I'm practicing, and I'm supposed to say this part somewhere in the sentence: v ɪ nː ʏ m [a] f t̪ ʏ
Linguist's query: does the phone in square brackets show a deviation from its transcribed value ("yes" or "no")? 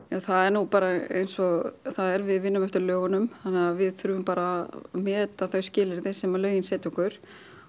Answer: yes